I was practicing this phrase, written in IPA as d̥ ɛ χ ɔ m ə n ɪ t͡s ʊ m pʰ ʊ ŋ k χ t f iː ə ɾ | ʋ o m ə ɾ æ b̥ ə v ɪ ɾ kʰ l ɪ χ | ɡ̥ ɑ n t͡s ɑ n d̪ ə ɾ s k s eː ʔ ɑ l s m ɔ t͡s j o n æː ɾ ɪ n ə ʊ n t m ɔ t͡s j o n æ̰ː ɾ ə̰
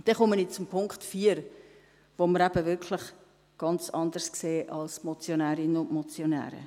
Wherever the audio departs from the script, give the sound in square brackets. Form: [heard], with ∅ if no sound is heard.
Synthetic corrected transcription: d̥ ɛ χ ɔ m ə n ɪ t͡s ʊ m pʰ ʊ ŋ k χ t f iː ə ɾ | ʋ o m ə ɾ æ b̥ ə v ɪ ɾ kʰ l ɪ χ | ɡ̥ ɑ n t͡s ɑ n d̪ ə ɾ s k s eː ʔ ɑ l s m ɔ t͡s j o n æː ɾ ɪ n ə ʊ n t m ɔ t͡s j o n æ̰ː ɾ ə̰